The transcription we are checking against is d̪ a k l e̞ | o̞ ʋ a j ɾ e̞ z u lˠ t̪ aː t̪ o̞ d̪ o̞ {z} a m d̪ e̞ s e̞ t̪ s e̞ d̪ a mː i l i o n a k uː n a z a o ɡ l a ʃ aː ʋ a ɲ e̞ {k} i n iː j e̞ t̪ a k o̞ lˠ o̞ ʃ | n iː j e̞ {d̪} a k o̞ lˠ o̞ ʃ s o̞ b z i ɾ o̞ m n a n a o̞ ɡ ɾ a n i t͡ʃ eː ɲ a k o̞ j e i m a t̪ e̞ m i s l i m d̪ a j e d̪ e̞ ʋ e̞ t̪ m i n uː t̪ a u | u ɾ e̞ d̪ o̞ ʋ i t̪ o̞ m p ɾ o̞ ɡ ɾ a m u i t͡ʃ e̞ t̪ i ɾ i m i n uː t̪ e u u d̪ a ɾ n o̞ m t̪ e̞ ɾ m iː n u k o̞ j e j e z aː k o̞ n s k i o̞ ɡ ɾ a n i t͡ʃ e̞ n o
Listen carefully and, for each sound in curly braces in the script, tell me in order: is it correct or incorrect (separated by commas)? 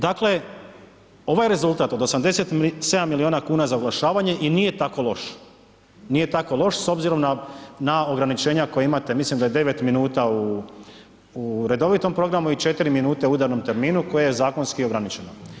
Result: incorrect, incorrect, incorrect